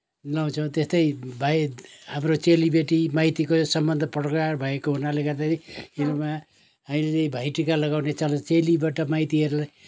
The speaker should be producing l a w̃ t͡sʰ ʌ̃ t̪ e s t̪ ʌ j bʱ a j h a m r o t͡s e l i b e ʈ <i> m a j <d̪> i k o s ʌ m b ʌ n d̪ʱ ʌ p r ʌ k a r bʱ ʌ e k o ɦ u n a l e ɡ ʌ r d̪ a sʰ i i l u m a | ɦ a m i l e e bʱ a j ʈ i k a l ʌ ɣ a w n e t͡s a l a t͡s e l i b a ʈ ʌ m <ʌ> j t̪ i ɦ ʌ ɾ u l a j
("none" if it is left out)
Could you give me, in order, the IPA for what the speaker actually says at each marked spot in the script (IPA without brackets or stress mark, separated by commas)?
i, t̪, a